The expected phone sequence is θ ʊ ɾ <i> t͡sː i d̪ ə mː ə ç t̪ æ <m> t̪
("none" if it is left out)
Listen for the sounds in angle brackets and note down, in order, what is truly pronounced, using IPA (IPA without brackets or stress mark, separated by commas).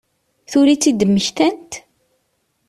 i, n